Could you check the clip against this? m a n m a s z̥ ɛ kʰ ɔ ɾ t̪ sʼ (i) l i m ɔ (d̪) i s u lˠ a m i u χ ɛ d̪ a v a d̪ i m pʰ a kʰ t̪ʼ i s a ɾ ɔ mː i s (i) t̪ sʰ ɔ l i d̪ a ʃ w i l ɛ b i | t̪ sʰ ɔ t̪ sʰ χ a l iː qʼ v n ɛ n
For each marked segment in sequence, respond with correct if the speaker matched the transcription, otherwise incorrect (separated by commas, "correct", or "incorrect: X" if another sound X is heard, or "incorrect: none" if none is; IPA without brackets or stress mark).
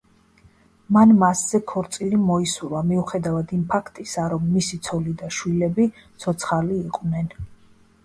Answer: correct, incorrect: none, correct